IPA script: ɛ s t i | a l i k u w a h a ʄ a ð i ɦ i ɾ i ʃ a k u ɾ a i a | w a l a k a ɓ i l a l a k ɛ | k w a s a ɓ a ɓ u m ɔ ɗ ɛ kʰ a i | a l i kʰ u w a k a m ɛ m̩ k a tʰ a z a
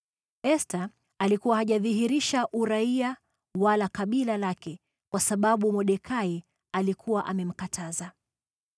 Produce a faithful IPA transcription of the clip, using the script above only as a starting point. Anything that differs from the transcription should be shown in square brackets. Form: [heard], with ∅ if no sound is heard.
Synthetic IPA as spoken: ɛ s t [a] | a l i k u w a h a ʄ a ð i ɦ i ɾ i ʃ a [ʔ] u ɾ a i a | w a l a k a ɓ i l a l a k ɛ | k w a s a ɓ a ɓ u m ɔ ɗ ɛ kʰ a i | a l i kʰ u w a [ʔ] a m ɛ m̩ k a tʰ a z a